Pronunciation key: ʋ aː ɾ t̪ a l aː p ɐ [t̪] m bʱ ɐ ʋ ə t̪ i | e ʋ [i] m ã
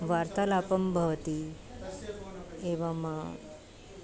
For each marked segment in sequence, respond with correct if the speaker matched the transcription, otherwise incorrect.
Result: incorrect, incorrect

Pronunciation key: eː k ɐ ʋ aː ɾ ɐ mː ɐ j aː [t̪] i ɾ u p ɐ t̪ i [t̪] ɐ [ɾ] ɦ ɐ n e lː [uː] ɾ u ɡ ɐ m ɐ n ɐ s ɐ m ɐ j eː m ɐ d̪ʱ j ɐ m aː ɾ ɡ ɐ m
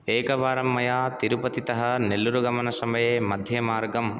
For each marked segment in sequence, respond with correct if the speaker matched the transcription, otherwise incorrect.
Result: correct, correct, incorrect, incorrect

